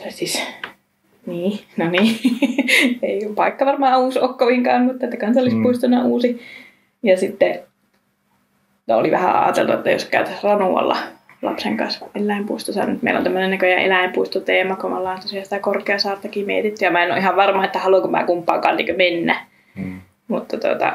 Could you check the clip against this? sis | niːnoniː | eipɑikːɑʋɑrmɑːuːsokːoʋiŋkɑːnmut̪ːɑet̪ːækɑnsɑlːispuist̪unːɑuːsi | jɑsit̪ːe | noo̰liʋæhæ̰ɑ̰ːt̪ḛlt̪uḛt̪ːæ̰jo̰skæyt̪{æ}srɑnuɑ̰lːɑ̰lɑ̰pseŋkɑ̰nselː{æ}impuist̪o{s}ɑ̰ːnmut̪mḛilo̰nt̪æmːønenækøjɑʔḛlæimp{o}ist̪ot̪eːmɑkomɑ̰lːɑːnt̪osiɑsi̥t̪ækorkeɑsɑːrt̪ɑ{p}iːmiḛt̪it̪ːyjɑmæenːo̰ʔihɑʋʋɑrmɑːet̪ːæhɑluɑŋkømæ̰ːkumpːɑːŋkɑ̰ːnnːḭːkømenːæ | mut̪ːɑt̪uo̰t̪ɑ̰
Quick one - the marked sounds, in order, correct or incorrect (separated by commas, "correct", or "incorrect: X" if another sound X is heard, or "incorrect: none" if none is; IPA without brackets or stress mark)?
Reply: correct, correct, correct, incorrect: u, incorrect: k